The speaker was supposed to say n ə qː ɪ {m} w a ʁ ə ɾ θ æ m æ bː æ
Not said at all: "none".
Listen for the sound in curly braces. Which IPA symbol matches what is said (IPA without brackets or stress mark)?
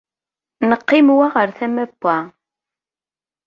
m